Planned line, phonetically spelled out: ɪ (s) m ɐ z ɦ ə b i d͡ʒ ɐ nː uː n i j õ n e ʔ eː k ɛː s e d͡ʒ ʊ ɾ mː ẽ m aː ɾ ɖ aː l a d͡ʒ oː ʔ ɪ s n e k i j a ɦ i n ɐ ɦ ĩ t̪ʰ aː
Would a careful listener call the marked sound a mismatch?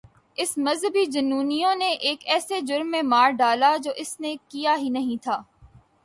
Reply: no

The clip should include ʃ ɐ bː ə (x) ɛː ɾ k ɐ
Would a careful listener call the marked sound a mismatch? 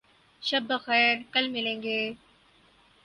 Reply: no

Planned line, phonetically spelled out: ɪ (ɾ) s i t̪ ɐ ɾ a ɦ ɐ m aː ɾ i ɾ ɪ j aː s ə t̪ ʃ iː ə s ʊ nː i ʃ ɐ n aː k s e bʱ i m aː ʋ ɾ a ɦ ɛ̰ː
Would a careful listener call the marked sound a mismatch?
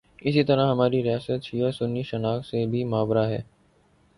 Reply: yes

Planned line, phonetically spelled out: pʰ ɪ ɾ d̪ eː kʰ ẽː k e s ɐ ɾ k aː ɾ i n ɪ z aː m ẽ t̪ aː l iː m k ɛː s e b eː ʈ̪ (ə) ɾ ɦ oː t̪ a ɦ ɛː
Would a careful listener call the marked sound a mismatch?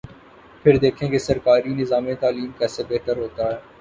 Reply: no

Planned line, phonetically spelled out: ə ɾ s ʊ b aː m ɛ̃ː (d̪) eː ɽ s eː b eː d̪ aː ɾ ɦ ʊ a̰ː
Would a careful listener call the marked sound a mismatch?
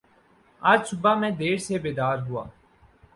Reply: no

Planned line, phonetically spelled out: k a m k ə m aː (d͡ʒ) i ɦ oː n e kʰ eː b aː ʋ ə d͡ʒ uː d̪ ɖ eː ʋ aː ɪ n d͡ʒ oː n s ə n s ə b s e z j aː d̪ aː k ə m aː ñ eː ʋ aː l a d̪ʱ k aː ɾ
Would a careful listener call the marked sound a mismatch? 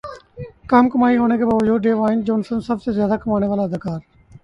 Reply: yes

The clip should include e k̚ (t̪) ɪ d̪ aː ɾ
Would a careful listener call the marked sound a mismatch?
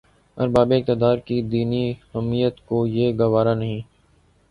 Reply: no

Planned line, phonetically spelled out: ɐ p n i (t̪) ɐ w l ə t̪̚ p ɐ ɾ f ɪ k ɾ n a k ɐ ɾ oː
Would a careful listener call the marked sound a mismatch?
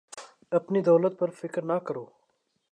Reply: yes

